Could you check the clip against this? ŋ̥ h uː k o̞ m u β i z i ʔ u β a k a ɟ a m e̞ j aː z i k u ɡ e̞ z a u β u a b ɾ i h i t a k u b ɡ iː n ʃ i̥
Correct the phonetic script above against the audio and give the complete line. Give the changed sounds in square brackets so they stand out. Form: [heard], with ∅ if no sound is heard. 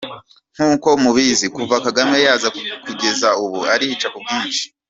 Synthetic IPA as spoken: ŋ̥ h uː k o̞ m u β i z i [k] u [v] a k a [ɡ] a m e̞ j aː z [a] k u ɡ e̞ z a u β u a [∅] ɾ i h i [t͡ʃ] a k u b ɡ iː n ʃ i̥